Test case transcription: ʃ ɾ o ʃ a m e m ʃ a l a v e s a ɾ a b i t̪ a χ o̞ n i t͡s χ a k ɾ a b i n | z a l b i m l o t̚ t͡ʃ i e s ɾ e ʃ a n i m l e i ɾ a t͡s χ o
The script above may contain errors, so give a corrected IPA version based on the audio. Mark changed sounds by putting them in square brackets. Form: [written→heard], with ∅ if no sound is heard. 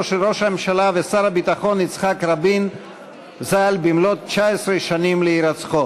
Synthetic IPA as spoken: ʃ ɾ o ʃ a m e m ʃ a l a v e s a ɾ a b i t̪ a χ o̞ n i t͡s χ a k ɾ a b i n | z a l b i m l o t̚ t͡ʃ [i→a] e s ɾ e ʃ a n i m l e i ɾ a t͡s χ o